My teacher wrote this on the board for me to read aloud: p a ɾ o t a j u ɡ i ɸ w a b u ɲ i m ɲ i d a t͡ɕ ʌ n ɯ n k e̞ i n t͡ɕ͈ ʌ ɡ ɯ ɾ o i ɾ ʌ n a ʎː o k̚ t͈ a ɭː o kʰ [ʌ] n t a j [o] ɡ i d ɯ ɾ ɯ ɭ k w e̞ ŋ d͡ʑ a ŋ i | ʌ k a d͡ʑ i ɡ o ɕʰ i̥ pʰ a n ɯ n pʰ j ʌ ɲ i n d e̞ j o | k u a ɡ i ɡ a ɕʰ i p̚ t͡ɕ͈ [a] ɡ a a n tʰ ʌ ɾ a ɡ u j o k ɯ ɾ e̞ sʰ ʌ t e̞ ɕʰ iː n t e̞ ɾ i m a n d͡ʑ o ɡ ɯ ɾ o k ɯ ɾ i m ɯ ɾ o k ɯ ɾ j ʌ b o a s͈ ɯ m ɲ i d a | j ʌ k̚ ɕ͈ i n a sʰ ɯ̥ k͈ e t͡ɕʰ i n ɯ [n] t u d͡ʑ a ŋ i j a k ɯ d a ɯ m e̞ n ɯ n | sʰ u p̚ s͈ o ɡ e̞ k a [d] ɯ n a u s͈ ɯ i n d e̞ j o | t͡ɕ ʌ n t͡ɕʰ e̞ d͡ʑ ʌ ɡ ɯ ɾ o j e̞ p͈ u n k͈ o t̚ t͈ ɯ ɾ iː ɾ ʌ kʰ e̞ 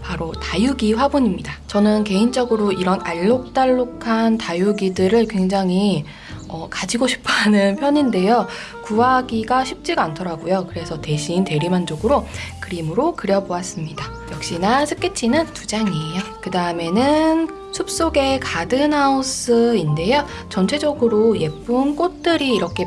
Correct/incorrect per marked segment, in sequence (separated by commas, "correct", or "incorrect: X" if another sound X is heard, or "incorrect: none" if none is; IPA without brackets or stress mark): incorrect: a, incorrect: u, incorrect: i, correct, correct